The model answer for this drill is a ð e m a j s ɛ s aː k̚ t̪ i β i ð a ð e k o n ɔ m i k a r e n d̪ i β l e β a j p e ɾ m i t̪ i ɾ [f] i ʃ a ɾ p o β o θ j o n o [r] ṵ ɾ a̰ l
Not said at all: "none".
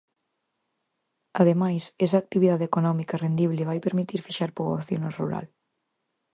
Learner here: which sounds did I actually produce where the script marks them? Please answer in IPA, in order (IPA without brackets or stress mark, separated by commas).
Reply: f, r